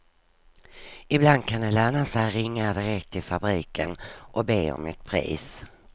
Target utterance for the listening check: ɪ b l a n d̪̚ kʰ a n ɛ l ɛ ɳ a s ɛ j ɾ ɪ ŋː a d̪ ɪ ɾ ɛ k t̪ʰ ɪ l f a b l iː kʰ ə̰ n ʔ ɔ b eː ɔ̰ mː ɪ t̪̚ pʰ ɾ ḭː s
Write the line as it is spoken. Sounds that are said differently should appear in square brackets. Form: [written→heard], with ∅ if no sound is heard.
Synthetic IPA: ɪ b l a n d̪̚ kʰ a n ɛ l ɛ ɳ a s ɛ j ɾ ɪ ŋː a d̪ ɪ ɾ ɛ k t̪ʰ ɪ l f a b [l→ɾ] iː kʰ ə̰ n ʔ ɔ b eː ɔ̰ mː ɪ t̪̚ pʰ ɾ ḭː s